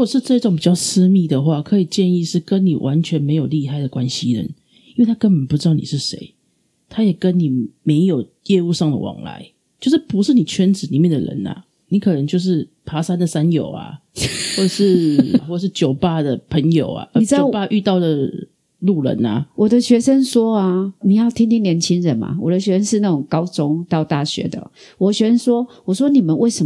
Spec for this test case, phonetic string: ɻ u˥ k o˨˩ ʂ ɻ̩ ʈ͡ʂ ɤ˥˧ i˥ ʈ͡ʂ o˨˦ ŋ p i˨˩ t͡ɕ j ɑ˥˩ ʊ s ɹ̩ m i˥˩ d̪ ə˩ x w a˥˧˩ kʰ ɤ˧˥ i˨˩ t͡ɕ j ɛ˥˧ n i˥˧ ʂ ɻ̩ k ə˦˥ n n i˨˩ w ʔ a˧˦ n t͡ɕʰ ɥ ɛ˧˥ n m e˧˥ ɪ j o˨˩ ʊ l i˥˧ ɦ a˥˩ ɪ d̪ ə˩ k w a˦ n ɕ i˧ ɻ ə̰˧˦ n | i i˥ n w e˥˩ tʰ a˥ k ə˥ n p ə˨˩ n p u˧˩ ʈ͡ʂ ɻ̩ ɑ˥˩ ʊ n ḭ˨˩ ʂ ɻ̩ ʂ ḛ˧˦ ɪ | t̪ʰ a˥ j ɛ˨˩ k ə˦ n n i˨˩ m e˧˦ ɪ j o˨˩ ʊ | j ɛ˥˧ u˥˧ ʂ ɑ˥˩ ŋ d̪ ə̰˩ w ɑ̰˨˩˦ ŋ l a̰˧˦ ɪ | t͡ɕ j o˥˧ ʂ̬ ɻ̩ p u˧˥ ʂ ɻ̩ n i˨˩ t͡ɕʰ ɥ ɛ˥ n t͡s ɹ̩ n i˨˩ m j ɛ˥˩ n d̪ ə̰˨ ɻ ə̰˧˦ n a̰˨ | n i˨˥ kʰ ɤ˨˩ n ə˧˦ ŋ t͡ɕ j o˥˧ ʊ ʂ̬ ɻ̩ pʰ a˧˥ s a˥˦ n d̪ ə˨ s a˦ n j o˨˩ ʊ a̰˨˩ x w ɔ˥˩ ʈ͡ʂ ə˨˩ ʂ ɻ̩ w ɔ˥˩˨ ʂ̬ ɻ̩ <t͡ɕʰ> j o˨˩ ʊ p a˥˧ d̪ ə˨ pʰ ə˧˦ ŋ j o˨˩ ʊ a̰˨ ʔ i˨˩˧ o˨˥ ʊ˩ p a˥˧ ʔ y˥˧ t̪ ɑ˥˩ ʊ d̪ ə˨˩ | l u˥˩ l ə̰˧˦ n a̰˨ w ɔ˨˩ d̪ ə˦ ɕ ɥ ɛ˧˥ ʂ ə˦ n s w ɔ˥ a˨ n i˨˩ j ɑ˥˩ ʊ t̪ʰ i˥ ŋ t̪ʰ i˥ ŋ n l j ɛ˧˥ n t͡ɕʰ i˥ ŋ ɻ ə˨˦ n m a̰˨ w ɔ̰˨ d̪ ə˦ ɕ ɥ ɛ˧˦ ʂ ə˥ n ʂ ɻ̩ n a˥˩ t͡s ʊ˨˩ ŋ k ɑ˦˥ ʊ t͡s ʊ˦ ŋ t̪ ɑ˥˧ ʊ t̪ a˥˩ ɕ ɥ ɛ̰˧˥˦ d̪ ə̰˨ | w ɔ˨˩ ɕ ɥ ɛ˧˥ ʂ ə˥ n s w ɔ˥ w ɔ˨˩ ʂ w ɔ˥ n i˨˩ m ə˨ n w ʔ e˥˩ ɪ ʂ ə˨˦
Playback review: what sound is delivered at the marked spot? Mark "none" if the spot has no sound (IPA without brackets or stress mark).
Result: t͡ɕ